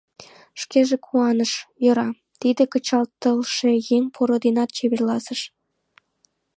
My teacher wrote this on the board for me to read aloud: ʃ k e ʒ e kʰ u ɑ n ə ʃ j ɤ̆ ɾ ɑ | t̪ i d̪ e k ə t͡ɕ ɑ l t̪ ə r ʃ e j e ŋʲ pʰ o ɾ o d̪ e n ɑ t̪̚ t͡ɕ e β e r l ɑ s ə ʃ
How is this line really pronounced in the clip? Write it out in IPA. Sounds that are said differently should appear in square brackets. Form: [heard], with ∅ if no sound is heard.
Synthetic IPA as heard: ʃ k e ʒ e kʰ u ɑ n ə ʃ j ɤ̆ ɾ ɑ | t̪ i d̪ e k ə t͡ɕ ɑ l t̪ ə [l] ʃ e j e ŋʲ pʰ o ɾ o d̪ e n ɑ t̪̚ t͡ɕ e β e r l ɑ s ə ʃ

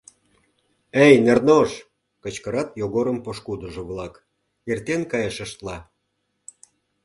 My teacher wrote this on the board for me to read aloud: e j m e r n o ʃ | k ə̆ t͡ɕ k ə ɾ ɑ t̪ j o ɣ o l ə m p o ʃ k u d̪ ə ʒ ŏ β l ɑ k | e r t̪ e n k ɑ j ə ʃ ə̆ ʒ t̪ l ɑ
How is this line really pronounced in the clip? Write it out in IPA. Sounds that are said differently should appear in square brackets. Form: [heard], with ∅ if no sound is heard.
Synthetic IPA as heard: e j [n] e r n o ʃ | k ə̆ t͡ɕ k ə ɾ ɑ t̪ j o ɣ o [ɾ] ə m p o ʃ k u d̪ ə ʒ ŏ β l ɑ k | e r t̪ e n k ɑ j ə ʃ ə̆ [ʃ] t̪ l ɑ

